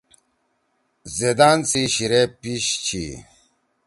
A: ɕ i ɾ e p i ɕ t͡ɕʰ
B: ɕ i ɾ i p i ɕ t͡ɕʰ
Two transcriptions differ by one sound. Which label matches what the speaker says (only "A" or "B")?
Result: A